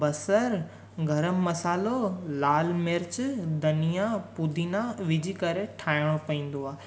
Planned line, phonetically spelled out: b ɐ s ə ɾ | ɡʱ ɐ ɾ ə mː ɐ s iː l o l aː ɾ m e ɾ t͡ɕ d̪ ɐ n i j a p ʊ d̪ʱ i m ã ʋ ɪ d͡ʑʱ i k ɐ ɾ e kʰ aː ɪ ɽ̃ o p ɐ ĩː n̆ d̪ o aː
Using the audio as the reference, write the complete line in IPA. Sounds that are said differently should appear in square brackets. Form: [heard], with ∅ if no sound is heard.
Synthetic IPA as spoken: b ɐ s ə ɾ | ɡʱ ɐ ɾ ə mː ɐ s [aː] l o l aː [l] m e ɾ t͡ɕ d̪ ɐ n i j a p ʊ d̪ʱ i [n] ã ʋ ɪ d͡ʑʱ i k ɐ ɾ e [ʈʰ] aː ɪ ɽ̃ o p ɐ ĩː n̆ d̪ o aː